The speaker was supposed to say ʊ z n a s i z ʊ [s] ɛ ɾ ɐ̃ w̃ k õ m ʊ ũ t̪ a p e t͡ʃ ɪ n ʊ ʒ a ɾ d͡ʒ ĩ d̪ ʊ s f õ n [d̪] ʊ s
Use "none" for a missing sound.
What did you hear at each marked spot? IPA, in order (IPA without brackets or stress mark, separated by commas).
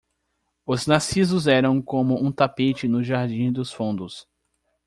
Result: z, d̪